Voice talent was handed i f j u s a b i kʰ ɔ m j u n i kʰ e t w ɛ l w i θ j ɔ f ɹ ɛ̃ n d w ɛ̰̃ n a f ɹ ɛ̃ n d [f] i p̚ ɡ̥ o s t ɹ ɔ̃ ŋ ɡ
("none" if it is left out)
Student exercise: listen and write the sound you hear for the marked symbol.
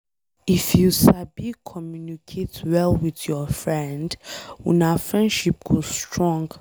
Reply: ʃ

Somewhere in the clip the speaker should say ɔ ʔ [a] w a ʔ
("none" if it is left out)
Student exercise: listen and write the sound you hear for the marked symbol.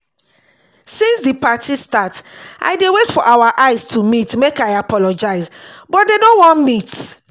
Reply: a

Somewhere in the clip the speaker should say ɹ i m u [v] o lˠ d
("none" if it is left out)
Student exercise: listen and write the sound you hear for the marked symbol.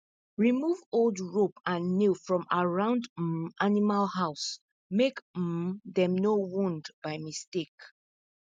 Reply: v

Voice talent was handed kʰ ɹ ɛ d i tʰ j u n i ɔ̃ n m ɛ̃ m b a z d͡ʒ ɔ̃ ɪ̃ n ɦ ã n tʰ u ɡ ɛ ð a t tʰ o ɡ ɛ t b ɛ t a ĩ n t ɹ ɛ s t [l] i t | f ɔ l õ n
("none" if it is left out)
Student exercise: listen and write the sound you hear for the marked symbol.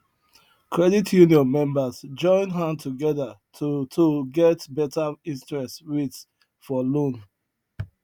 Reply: ɹ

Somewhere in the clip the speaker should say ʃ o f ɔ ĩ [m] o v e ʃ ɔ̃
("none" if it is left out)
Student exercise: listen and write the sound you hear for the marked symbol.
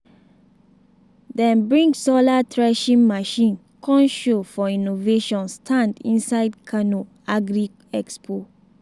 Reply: n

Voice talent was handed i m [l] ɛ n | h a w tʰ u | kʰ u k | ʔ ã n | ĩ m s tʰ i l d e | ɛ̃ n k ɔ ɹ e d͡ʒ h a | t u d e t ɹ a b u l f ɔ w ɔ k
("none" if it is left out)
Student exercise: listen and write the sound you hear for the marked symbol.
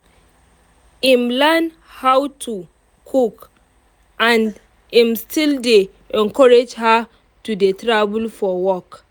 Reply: l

